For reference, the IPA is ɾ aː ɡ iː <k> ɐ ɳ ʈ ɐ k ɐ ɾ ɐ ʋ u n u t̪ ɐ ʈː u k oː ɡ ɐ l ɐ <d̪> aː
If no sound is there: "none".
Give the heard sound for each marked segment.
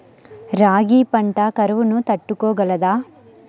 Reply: p, d̪

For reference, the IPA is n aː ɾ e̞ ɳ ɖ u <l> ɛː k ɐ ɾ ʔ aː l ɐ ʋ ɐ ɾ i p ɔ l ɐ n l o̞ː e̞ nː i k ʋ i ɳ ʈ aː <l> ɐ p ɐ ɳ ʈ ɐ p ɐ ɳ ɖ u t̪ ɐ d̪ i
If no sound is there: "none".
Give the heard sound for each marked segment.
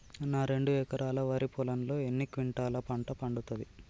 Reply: none, l

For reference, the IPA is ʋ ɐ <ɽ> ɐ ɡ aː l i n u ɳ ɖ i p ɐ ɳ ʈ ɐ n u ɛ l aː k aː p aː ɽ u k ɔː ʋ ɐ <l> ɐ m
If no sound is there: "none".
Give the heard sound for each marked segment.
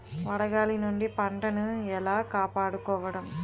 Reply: ɽ, ɽ

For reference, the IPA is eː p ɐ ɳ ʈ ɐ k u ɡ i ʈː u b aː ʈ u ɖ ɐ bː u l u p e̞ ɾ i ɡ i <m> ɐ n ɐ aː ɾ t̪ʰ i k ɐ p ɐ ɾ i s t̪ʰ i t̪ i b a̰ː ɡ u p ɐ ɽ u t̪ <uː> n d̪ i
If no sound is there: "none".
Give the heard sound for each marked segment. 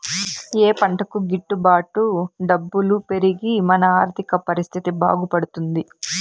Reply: m, u

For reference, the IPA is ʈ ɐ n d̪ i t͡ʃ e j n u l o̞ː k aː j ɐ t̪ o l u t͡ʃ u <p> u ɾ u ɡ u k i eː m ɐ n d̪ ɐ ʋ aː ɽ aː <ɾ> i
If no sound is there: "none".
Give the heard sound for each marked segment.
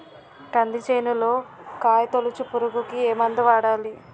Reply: p, l

